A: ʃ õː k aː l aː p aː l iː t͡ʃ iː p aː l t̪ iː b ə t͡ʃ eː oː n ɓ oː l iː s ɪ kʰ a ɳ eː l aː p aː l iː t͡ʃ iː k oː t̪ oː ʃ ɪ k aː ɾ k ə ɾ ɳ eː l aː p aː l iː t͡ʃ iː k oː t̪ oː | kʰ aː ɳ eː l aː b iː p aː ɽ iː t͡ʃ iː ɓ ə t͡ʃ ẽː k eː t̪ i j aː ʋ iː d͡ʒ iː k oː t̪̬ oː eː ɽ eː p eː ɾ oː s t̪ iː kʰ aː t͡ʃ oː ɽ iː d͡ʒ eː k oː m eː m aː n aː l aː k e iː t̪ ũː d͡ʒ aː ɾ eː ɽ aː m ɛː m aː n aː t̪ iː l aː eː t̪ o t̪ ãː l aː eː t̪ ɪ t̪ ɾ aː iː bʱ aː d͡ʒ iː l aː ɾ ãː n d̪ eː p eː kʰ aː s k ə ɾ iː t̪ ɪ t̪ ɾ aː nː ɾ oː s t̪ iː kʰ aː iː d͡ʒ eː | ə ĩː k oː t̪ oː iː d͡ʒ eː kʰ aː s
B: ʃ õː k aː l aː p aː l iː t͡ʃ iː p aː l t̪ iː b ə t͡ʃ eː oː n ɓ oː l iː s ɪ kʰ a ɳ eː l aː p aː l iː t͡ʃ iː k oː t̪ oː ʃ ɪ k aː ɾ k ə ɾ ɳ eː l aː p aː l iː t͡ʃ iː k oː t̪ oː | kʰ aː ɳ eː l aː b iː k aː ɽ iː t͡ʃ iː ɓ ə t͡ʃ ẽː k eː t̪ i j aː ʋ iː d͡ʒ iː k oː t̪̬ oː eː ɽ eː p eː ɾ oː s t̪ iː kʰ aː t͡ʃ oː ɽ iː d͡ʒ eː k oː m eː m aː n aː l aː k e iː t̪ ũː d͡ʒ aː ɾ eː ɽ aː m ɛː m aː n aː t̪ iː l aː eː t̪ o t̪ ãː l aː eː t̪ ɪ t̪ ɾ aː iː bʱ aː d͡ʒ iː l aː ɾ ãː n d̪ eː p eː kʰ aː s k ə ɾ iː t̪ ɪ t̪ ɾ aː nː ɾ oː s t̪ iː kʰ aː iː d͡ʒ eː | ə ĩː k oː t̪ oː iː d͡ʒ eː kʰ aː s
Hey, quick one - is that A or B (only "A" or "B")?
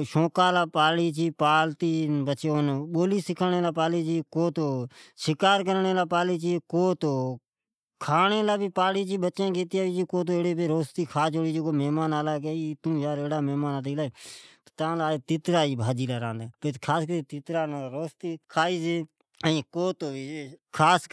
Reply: A